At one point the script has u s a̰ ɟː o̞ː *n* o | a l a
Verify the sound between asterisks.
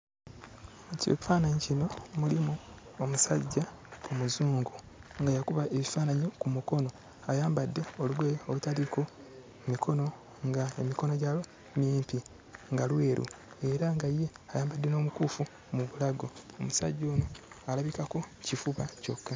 correct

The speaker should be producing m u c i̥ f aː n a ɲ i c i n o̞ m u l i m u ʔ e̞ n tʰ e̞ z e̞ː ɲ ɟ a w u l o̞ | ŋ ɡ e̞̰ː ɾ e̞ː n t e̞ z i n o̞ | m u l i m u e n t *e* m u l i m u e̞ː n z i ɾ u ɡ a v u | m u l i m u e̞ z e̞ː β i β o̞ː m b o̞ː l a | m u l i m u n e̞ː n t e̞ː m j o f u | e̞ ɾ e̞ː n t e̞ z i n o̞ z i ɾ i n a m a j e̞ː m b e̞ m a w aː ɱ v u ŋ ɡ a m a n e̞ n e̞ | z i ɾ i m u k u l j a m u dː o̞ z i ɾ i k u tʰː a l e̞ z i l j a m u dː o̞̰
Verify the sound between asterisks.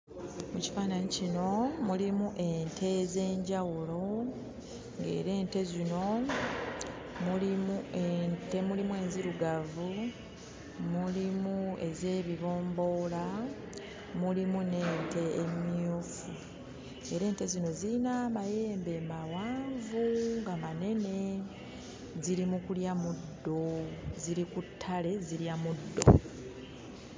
correct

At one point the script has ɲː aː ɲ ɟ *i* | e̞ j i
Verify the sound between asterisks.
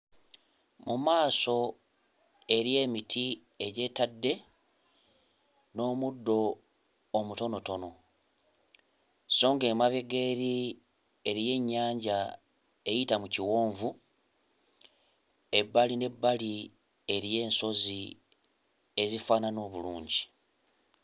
incorrect: a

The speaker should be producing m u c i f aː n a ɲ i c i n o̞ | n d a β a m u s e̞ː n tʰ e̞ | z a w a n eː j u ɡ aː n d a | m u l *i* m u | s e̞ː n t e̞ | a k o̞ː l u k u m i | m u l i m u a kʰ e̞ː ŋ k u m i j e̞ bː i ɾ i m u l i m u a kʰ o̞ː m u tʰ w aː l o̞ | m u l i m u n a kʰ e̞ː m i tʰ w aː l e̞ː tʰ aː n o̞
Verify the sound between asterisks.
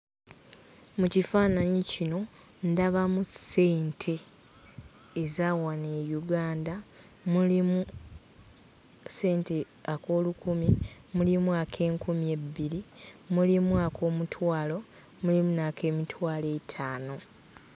correct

